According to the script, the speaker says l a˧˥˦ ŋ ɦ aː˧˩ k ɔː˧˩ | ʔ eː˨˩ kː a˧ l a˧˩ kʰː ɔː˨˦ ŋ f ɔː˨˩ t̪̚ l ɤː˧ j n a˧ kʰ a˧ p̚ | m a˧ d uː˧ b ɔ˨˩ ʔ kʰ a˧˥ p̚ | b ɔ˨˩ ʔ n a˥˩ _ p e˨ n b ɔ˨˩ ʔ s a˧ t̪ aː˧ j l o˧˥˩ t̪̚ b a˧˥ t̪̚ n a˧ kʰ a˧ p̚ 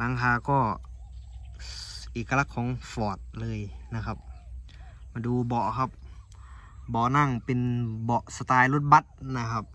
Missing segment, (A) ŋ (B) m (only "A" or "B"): A